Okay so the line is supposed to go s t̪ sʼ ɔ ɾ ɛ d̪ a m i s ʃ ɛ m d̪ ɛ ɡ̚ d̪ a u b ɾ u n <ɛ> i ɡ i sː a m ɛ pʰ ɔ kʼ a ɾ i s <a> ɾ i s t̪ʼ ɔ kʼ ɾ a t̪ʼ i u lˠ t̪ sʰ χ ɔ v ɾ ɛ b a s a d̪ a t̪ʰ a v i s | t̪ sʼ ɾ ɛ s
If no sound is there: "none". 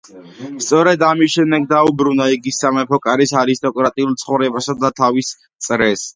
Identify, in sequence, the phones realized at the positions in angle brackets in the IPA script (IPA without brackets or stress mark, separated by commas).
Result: a, a